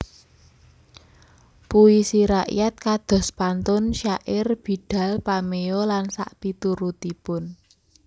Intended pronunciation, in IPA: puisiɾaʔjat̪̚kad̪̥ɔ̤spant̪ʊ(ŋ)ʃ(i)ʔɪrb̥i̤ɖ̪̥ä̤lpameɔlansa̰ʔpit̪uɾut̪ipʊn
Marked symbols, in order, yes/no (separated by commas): no, no